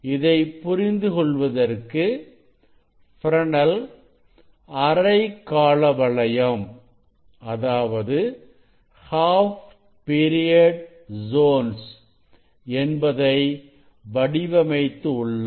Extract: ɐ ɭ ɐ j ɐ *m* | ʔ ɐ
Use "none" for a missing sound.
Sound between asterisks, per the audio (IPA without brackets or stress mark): m